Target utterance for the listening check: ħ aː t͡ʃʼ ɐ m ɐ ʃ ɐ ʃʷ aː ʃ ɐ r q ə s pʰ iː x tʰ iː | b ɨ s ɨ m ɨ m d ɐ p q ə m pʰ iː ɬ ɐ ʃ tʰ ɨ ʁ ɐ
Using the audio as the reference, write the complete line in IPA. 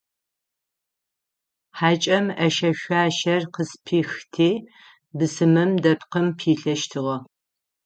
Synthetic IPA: ħ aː t͡ʃʼ ɐ m ɐ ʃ ɐ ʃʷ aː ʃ ɐ r q ə s pʰ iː x tʰ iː | b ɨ s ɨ m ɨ m d ɐ p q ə m pʰ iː ɬ ɐ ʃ tʰ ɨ ʁ ɐ